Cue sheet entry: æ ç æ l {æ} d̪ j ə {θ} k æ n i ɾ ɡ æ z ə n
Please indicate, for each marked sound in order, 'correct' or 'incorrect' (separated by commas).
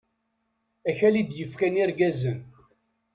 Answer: incorrect, incorrect